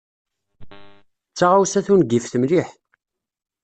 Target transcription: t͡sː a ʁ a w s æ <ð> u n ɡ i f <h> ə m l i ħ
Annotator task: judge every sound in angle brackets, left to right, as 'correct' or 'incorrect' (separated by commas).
incorrect, incorrect